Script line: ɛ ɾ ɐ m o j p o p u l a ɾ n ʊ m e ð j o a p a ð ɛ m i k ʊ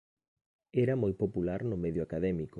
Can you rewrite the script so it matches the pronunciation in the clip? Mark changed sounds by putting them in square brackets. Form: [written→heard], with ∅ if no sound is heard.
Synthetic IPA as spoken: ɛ ɾ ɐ m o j p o p u l a ɾ n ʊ m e ð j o a [p→k] a ð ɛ m i k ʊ